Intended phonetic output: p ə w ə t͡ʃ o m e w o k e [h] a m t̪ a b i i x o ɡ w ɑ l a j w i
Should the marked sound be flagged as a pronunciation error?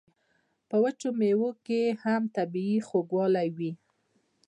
no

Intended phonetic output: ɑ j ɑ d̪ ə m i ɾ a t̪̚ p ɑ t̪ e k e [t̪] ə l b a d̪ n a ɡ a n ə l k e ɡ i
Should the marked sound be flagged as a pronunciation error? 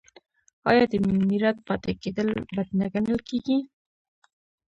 yes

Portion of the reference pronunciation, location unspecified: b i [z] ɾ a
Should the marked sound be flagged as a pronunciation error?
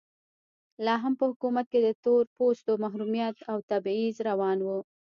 no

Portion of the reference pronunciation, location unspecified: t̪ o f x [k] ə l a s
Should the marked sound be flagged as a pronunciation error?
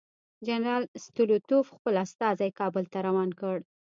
yes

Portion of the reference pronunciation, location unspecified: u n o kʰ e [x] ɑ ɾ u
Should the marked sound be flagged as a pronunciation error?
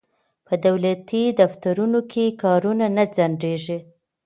yes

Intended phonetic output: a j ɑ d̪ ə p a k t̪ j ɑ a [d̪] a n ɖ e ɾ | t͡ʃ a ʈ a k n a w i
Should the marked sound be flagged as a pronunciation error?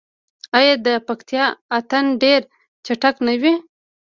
yes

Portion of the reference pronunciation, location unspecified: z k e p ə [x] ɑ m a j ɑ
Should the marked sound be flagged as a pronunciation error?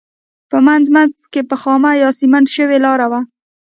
no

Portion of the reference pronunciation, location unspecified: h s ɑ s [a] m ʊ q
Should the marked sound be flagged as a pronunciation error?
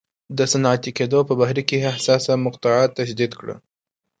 no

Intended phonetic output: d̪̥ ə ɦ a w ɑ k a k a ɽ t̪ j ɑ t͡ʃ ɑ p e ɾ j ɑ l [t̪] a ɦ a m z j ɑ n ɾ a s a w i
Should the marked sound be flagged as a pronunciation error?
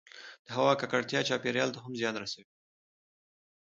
no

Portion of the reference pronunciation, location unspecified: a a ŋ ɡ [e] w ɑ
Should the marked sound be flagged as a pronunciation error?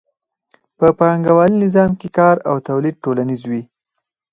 yes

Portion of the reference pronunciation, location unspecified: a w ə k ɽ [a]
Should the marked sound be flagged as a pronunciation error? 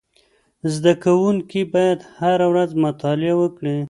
yes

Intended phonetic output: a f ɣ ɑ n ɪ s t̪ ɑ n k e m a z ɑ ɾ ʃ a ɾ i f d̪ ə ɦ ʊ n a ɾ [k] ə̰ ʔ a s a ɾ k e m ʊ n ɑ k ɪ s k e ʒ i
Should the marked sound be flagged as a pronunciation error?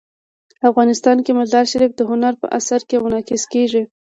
yes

